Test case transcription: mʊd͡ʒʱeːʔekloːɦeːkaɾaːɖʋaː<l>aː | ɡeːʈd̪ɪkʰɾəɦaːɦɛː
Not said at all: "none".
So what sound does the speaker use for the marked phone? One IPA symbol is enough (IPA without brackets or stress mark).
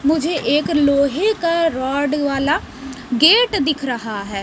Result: l